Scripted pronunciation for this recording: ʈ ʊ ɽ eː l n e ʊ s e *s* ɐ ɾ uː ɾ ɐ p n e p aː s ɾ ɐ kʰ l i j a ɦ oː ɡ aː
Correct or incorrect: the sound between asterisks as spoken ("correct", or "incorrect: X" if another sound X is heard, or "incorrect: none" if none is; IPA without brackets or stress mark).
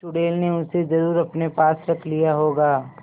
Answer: incorrect: z